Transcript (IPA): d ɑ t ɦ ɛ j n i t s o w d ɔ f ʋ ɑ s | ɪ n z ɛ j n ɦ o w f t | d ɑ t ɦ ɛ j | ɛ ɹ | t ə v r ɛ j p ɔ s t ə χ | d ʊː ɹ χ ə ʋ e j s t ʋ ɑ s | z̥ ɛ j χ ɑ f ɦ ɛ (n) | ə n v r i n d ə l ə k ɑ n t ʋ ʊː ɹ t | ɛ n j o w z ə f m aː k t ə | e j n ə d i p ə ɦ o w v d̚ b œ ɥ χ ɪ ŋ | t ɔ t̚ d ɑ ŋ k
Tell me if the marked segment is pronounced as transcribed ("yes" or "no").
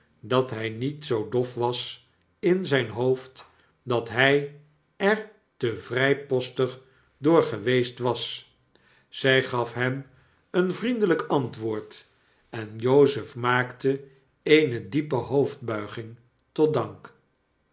no